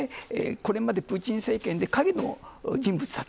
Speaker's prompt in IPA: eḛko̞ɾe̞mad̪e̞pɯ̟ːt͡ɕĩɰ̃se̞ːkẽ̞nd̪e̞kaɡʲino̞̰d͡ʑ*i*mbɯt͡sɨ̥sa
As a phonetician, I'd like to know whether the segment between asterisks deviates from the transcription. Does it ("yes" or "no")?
yes